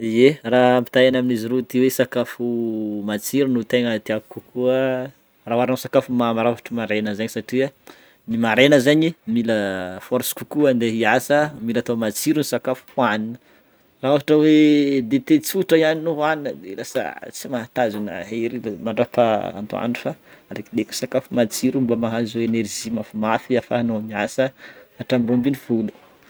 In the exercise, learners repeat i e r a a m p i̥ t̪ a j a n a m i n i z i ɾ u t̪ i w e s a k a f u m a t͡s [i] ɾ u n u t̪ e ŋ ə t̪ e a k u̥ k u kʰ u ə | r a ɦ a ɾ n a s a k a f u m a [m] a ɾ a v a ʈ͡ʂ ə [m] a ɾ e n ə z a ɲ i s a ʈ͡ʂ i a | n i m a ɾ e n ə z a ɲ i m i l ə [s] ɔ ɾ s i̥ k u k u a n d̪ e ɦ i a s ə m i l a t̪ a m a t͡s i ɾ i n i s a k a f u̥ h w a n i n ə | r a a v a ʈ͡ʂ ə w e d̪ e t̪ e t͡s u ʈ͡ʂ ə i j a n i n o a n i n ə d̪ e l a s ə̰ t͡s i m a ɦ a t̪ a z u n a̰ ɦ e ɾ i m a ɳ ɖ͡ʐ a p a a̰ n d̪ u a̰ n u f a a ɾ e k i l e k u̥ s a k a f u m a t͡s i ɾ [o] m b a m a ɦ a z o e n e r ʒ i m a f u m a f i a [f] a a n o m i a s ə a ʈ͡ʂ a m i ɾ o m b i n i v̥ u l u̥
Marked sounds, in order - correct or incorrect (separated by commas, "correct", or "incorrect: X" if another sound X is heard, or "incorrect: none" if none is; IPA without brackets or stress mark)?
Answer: correct, correct, correct, incorrect: f, incorrect: u, correct